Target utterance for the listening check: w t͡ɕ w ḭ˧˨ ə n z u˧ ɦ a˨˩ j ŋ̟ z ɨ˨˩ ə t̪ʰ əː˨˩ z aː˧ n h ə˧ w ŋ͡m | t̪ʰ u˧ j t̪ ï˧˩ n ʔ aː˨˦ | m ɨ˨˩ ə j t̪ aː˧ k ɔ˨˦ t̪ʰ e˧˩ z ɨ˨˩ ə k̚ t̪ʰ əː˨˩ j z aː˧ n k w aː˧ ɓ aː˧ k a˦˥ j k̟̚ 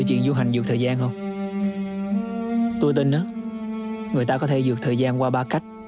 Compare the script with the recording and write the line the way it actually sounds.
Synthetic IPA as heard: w t͡ɕ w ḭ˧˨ ə n z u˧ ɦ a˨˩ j ŋ̟ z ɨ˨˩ ə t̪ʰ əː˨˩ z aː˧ n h ə˧ w ŋ͡m | t̪ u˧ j t̪ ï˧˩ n ʔ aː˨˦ | ŋ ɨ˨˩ ə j t̪ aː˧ k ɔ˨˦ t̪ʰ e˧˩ z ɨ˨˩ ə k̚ t̪ʰ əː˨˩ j z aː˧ n k w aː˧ ɓ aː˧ k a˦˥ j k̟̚